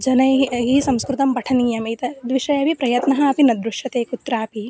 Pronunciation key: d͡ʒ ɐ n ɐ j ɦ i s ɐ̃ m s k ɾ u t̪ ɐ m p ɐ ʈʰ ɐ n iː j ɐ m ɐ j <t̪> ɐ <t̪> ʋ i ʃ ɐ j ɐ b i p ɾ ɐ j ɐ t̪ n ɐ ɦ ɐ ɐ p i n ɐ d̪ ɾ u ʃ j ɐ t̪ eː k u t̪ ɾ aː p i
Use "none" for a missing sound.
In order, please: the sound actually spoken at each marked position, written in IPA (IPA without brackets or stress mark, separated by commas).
t̪, d̪